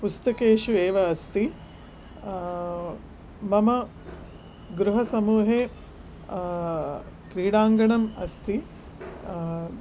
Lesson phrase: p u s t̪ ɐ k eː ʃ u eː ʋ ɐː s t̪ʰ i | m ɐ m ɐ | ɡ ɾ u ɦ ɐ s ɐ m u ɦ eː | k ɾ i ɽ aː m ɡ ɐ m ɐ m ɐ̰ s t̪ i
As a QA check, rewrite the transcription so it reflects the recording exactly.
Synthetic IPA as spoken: p u s t̪ ɐ k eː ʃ u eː ʋ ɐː s t̪ i | m ɐ m ɐ | ɡ ɾ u ɦ ɐ s ɐ m uː ɦ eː | k ɾ iː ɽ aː ŋ ɡ ɐ ɳ ɐ m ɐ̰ s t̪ i